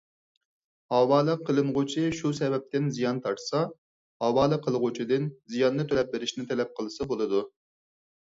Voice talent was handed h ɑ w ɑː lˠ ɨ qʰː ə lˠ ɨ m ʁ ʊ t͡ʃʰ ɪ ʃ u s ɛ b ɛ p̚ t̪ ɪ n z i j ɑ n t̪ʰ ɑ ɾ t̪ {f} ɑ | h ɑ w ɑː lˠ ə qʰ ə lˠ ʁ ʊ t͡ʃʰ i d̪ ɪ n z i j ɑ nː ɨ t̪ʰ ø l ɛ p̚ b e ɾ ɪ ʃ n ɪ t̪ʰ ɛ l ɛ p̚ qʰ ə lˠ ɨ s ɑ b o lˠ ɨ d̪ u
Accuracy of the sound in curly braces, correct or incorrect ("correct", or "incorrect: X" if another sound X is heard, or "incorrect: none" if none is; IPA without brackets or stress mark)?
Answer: incorrect: s